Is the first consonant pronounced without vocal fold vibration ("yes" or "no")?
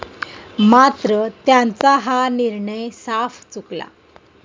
no